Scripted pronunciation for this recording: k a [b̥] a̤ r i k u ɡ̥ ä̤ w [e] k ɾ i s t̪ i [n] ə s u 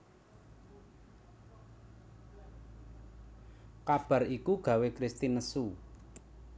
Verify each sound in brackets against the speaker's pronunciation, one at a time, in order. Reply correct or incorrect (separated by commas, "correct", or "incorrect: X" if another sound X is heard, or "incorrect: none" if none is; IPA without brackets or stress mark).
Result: correct, correct, correct